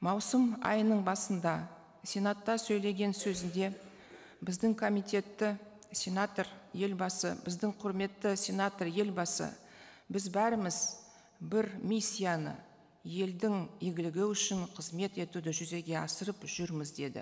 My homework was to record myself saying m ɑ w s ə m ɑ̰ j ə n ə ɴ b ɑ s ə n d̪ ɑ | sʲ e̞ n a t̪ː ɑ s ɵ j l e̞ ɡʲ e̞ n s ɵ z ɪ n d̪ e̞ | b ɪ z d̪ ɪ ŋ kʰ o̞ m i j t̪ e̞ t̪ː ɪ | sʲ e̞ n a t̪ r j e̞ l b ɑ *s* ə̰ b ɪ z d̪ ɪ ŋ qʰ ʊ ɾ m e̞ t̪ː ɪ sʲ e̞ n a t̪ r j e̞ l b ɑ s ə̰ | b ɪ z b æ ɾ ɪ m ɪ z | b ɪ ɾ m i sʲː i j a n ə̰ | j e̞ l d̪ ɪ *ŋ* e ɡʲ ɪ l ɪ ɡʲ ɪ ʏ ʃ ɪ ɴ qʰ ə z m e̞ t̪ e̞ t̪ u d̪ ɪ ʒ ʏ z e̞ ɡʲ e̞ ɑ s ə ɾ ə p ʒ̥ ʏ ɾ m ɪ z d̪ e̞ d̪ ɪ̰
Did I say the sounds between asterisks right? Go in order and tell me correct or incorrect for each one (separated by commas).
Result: correct, correct